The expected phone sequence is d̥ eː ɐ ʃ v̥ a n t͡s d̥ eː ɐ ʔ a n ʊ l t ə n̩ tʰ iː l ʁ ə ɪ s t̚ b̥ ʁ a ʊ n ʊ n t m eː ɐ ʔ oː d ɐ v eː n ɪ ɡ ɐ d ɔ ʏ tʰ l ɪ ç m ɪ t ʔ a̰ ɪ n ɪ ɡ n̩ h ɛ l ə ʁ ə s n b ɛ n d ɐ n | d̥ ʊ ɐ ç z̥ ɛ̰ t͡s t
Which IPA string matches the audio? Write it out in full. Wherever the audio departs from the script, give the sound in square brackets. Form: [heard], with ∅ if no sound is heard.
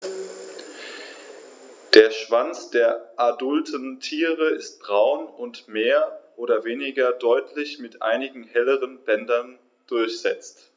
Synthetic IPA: d̥ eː ɐ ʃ v̥ a n t͡s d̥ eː ɐ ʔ a [d] ʊ l t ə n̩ tʰ iː [∅] ʁ ə ɪ s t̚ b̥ ʁ a ʊ n ʊ n t m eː ɐ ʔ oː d ɐ v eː n ɪ ɡ ɐ d ɔ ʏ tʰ l ɪ ç m ɪ t ʔ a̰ ɪ n ɪ ɡ [ŋ̩] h ɛ l ə ʁ ə [∅] n b ɛ n d ɐ n | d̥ ʊ ɐ ç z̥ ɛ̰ t͡s t